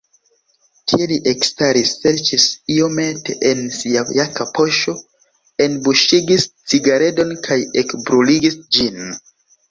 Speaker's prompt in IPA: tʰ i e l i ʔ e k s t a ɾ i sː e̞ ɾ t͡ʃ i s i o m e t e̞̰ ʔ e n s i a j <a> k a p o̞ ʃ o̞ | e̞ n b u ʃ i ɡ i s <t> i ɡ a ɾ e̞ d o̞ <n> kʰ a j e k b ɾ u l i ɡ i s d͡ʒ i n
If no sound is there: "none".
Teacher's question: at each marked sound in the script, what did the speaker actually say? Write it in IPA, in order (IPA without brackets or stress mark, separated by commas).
a, t͡s, n